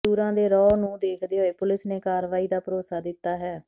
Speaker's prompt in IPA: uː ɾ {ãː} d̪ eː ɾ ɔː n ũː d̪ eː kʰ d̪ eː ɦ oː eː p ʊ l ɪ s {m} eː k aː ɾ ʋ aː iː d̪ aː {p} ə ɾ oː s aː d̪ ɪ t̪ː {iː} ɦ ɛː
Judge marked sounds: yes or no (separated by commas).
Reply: yes, no, yes, no